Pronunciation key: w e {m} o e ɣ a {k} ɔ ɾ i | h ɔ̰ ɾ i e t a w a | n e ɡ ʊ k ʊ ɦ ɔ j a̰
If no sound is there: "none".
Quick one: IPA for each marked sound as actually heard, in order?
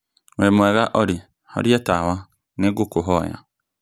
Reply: m, ʔ

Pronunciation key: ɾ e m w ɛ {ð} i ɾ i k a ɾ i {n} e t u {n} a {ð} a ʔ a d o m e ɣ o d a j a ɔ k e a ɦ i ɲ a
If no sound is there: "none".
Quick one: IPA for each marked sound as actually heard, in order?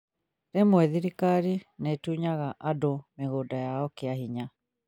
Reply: ð, n, ɲ, ɣ

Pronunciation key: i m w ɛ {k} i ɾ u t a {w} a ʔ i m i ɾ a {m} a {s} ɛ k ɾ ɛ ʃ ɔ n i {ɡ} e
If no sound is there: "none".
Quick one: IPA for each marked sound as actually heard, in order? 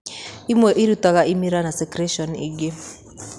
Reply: ʔ, ɣ, n, s, ɡ

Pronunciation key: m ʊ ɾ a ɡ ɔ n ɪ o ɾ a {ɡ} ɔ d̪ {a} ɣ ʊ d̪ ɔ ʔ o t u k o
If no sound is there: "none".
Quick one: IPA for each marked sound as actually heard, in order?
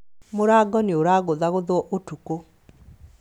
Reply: ɡ, a

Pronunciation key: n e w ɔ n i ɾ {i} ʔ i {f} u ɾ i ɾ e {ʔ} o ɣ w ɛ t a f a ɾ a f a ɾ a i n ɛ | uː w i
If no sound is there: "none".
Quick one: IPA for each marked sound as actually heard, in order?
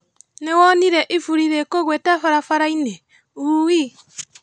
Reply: ɛ, f, k

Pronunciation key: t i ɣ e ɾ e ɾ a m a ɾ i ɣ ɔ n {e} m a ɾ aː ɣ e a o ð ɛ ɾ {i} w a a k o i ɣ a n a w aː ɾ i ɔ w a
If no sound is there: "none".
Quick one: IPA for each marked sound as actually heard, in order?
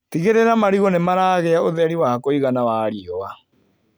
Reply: e, i

